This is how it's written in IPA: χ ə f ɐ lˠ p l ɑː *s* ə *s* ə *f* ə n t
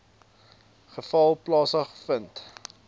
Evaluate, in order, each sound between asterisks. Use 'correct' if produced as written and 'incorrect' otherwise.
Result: correct, incorrect: χ, correct

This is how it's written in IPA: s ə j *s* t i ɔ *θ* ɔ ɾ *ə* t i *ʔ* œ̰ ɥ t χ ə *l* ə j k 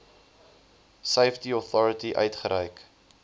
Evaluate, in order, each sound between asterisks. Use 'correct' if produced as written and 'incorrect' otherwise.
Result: incorrect: f, correct, correct, correct, incorrect: ɾ

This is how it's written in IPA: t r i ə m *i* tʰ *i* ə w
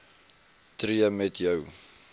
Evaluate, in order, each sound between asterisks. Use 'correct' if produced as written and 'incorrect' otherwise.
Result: incorrect: ɛ, incorrect: j

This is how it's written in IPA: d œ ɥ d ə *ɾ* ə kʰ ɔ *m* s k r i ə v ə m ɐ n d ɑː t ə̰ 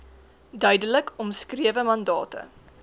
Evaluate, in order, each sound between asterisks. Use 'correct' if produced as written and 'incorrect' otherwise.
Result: incorrect: l, correct

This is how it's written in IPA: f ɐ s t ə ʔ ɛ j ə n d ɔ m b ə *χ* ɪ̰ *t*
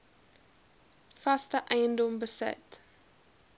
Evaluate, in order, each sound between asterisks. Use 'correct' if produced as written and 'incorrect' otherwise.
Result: incorrect: s, correct

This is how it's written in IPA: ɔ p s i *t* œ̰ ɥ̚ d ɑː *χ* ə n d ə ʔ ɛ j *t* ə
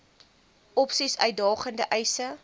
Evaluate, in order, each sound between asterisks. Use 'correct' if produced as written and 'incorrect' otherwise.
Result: incorrect: s, correct, incorrect: s

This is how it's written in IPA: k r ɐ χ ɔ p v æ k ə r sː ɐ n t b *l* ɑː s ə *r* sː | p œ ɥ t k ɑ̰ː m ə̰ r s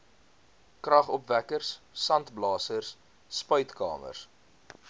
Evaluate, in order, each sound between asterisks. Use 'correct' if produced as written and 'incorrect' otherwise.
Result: correct, correct

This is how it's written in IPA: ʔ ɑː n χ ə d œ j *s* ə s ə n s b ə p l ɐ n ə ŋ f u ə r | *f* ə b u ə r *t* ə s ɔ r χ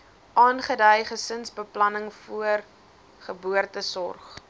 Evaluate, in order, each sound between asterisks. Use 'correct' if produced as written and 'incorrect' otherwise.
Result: incorrect: χ, incorrect: χ, correct

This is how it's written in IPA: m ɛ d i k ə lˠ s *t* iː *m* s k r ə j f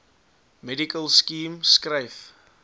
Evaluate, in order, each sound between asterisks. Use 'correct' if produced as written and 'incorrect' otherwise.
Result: incorrect: k, correct

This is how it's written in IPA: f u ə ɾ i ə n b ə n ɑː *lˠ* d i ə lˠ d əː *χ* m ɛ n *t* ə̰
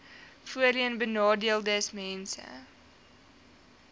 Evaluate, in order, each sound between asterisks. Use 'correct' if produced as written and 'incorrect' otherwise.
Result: incorrect: none, incorrect: s, incorrect: s

